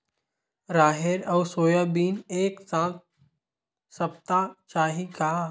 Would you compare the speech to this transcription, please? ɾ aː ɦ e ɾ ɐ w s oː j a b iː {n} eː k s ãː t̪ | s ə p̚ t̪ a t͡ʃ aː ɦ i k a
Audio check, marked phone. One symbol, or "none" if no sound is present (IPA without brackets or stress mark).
n